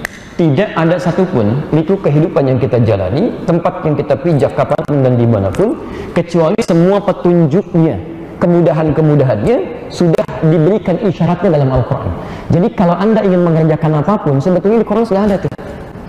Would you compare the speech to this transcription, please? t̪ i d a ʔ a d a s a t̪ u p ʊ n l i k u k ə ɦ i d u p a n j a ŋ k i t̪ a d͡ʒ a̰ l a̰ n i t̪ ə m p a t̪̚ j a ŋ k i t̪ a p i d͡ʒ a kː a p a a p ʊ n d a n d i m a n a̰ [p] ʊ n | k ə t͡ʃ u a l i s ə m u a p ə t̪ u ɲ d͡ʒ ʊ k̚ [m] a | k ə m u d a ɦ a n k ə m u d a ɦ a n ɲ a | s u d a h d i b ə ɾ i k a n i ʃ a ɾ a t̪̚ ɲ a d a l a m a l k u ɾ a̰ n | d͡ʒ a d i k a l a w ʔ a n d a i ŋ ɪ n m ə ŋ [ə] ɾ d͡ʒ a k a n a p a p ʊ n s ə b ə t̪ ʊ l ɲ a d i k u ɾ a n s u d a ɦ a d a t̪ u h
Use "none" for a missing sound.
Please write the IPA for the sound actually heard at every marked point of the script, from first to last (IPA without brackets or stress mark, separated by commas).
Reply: p, ɲ, ə